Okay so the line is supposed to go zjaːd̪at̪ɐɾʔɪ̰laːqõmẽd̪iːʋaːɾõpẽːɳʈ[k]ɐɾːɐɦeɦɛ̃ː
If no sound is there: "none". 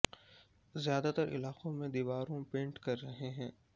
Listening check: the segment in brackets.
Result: k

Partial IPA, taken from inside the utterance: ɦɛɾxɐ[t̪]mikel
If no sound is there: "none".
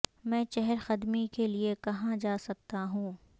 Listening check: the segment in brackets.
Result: d̪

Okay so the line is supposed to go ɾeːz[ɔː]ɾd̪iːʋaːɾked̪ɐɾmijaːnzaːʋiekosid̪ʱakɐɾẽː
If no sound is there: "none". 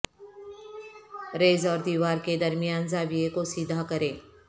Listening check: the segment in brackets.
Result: ɔː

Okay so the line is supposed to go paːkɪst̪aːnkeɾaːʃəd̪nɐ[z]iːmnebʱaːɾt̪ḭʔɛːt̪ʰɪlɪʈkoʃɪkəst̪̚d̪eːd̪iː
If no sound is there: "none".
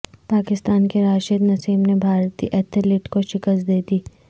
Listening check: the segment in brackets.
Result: s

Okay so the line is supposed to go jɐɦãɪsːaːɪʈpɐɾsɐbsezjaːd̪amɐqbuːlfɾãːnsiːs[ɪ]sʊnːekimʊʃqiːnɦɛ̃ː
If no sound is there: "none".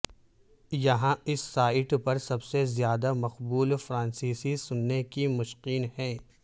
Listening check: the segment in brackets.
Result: i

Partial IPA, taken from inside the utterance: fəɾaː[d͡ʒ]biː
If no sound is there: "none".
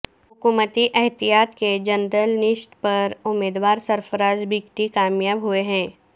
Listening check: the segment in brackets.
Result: d͡ʒ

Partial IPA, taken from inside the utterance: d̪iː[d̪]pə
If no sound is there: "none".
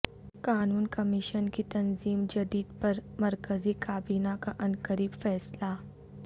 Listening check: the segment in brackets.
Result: d̪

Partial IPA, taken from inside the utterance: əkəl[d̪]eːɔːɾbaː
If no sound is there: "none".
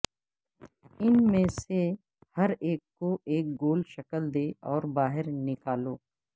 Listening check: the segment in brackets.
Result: d̪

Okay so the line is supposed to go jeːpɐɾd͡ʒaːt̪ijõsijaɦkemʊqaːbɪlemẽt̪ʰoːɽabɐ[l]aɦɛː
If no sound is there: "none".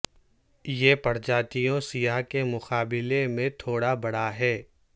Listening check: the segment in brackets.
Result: ɽ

